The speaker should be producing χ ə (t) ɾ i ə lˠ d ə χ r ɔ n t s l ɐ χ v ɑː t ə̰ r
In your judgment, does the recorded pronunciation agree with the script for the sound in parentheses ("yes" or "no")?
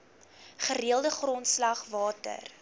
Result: no